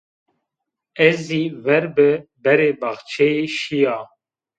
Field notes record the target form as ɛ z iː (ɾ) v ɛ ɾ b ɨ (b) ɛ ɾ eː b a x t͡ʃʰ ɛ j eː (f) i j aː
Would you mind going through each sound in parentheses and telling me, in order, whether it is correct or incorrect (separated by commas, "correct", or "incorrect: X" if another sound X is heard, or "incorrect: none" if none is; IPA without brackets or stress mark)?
incorrect: none, correct, incorrect: ʃ